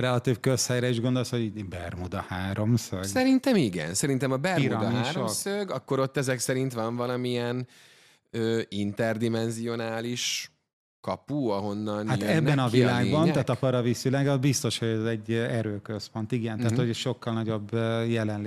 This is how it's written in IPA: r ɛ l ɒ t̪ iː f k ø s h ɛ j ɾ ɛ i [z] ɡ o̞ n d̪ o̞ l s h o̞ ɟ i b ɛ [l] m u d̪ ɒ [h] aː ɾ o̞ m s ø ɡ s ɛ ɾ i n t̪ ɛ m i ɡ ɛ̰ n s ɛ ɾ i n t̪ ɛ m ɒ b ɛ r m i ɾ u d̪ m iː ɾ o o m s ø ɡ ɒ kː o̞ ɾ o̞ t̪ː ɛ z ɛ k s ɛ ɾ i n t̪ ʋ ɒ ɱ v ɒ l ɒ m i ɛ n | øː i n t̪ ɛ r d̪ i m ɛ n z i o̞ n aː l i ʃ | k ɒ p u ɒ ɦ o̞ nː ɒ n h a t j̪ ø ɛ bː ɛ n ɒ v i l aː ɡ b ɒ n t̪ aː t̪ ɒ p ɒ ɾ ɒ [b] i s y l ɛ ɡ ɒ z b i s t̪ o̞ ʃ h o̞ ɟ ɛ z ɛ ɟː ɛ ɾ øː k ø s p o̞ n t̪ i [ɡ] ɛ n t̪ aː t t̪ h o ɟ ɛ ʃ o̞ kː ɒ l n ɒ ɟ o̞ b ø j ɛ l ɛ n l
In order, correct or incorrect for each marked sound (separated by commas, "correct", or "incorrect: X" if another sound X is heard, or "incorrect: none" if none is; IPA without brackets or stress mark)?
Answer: incorrect: ʒ, incorrect: r, correct, incorrect: v, correct